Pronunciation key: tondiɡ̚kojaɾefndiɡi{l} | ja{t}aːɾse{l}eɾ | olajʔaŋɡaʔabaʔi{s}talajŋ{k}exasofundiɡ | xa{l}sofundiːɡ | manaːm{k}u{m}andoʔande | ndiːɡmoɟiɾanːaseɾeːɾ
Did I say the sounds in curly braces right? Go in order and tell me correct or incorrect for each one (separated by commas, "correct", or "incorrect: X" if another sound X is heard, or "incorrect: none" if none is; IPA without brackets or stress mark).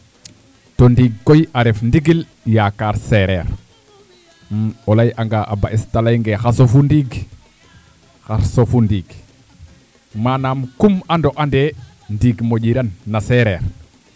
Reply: correct, incorrect: k, incorrect: ɾ, correct, incorrect: ɡ, incorrect: ɾ, correct, correct